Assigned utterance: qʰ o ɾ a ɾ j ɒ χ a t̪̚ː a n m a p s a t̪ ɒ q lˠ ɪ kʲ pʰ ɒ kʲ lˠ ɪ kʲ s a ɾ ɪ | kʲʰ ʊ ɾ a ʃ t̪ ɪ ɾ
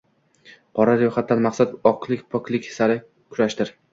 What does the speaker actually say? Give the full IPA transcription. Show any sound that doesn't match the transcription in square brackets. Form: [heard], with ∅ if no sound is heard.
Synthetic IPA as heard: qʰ [ɒ] ɾ a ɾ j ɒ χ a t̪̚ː a n m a [q] s a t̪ ɒ q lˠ ɪ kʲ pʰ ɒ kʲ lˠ ɪ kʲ s a ɾ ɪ | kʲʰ ʊ ɾ a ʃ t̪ ɪ ɾ